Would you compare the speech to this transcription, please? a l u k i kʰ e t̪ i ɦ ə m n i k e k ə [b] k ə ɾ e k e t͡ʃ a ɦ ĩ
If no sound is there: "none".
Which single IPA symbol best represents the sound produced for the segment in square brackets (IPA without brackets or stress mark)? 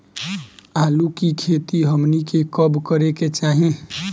b